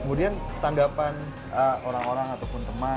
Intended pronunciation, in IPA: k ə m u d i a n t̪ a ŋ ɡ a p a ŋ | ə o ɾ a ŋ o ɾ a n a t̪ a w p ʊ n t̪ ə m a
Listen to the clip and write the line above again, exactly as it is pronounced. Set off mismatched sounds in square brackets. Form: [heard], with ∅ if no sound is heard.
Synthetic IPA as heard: k ə m u d i a n t̪ a ŋ ɡ a p a [n] | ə o ɾ a ŋ o ɾ a [ŋ] a t̪ a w p ʊ n t̪ ə m a